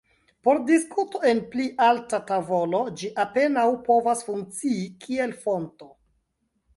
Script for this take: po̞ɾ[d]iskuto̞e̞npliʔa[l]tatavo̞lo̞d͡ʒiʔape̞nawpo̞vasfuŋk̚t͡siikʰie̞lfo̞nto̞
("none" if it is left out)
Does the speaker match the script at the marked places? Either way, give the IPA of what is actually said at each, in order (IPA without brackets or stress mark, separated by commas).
d, l